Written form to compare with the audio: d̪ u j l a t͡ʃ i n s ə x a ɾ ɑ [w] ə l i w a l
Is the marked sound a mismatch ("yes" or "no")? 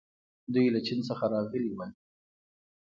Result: yes